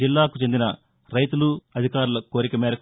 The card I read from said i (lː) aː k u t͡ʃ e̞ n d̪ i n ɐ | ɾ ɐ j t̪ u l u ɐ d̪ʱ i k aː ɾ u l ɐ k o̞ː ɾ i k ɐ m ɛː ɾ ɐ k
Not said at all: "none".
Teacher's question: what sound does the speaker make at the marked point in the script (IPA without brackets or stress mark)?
lː